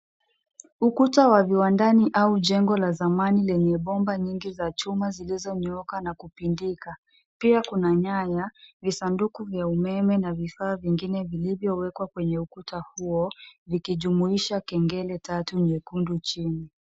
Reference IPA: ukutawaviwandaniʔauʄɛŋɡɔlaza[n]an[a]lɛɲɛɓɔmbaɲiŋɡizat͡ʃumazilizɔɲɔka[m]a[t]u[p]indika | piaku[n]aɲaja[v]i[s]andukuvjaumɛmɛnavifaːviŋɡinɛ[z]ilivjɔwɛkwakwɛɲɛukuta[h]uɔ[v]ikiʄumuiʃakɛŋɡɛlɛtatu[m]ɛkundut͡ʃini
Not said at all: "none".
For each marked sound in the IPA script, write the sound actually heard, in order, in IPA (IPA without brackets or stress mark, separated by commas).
m, i, n, k, p, n, v, s, v, h, v, ɲ